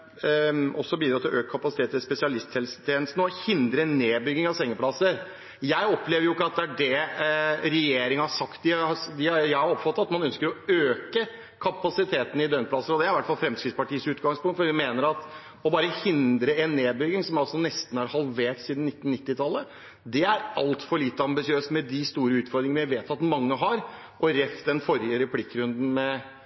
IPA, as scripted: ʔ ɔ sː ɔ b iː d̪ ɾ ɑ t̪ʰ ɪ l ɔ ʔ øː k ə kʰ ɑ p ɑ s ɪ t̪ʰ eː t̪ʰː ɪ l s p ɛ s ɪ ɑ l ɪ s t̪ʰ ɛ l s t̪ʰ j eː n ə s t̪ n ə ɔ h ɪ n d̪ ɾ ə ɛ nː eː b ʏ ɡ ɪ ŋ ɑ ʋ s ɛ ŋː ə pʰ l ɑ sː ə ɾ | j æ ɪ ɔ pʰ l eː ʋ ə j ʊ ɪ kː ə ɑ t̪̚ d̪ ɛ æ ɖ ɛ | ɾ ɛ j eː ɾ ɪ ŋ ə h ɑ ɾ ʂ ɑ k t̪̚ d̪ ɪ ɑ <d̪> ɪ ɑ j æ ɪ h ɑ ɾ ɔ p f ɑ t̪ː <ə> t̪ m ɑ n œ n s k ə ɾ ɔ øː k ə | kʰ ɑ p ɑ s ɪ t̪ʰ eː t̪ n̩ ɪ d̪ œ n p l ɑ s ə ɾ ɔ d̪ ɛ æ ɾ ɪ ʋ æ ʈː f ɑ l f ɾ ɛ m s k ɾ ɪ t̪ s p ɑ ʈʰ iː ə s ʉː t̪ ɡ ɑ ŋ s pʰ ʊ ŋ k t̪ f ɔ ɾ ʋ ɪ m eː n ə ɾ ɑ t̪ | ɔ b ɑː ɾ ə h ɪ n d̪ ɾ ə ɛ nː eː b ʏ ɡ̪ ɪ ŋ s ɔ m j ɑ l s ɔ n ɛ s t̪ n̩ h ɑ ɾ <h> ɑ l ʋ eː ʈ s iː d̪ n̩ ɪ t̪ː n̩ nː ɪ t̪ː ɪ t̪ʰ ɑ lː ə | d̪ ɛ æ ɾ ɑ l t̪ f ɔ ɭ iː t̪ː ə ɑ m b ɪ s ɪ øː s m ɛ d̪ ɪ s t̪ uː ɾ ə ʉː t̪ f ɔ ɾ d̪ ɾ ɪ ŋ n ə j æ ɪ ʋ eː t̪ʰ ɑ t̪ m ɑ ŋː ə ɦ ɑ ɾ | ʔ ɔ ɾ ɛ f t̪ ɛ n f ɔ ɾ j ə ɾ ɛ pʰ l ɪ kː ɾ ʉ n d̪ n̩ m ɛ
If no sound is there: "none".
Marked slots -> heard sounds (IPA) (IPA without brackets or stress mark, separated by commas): d̪, ɑ, h